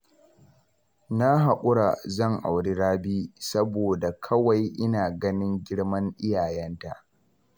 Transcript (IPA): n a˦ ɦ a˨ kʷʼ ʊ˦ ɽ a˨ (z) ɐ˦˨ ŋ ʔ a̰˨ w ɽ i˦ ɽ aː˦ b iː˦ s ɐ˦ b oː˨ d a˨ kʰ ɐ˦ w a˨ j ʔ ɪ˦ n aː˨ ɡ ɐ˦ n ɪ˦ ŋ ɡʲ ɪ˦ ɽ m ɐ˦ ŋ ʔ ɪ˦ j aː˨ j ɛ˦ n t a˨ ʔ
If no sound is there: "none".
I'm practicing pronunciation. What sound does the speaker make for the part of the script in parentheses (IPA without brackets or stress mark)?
z